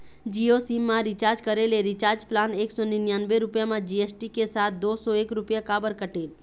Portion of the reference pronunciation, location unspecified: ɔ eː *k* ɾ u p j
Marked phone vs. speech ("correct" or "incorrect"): correct